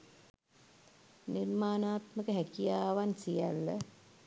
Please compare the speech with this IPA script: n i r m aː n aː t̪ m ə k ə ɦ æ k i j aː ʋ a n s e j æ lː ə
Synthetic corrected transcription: n i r m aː n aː t̪ m ə k ə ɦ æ k i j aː ʋ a n s i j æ lː ə